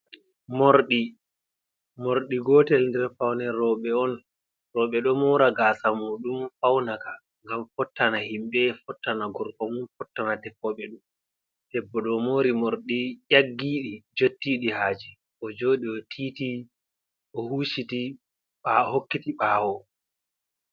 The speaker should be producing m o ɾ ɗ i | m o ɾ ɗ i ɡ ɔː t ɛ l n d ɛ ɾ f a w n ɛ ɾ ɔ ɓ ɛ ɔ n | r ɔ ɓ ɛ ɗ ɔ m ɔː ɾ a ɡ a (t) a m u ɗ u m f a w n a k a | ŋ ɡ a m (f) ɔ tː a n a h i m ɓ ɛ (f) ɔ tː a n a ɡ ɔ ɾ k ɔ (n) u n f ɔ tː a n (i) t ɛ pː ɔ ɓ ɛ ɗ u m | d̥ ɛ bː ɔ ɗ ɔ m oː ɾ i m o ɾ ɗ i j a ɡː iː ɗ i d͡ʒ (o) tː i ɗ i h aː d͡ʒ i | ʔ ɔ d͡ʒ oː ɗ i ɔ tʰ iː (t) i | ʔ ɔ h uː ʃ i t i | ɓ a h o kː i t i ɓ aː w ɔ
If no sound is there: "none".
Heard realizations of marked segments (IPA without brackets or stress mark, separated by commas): s, f, f, m, a, o, t